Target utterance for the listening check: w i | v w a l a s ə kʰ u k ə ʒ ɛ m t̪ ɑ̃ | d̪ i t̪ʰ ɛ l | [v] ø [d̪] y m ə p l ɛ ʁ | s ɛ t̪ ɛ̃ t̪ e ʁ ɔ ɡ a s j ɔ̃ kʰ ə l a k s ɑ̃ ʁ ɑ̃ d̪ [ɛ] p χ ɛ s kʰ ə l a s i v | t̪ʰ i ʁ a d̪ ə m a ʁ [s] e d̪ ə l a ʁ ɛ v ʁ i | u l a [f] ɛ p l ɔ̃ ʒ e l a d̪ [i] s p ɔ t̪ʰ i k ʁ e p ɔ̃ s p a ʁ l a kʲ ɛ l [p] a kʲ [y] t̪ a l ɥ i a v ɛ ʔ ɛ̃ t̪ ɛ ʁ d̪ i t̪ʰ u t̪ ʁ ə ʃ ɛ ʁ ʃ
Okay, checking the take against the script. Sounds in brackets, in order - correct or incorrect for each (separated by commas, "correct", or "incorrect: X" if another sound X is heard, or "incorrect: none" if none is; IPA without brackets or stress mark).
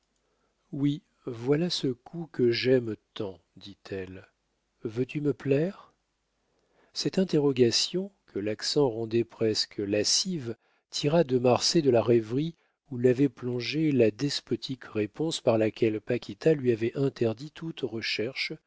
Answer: correct, incorrect: t̪, correct, correct, incorrect: v, incorrect: ɛ, correct, incorrect: i